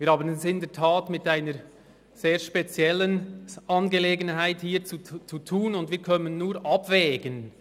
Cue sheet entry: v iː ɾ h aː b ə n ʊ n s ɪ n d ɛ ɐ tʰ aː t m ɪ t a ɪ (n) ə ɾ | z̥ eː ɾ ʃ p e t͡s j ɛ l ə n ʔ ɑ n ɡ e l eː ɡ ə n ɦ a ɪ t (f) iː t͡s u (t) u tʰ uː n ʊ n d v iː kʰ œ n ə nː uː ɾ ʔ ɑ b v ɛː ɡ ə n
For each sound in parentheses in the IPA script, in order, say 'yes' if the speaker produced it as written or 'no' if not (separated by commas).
yes, no, no